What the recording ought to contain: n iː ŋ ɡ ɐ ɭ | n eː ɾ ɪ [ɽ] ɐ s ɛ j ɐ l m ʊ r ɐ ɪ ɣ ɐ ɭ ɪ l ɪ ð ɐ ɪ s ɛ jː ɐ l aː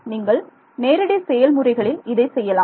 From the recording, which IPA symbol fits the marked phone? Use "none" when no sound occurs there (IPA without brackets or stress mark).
ɽ